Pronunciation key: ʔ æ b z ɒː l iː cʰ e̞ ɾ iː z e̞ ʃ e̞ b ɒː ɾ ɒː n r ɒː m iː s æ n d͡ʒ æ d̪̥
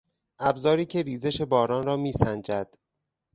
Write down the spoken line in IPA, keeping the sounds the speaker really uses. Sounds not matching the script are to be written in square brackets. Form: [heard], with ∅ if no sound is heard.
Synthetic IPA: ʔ æ b z ɒː [ɾ] iː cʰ e̞ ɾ iː z e̞ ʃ e̞ b ɒː ɾ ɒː n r ɒː m iː s æ n d͡ʒ æ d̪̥